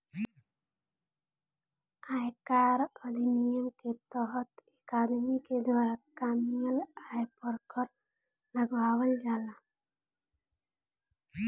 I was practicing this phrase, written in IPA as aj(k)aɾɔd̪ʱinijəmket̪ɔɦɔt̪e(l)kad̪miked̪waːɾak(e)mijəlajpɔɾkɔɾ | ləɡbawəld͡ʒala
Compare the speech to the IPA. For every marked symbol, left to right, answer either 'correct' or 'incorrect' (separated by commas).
correct, incorrect, incorrect